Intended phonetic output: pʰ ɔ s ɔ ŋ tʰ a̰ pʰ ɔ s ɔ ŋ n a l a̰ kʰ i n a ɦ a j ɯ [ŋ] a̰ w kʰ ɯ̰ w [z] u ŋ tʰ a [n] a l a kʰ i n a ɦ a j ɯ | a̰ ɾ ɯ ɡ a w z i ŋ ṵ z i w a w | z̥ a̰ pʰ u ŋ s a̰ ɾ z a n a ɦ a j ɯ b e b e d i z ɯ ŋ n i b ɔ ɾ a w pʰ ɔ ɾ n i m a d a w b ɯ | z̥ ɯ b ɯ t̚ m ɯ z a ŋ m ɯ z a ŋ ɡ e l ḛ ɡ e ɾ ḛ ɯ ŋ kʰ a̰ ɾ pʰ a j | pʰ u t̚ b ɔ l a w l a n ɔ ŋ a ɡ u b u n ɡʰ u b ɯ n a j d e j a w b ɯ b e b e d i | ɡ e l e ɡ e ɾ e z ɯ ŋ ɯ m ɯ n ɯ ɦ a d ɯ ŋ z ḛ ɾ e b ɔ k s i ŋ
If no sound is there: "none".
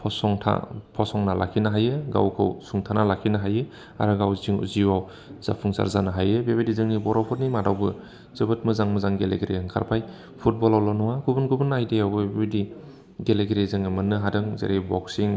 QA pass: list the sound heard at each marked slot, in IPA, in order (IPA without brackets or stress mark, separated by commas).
ɡ, s, n